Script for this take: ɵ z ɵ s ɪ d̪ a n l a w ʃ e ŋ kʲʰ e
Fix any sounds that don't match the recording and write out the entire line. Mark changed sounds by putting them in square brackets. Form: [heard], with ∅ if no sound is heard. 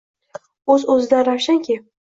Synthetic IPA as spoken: ɵ z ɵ [z] ɪ d̪ a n [ɾ] a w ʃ [a] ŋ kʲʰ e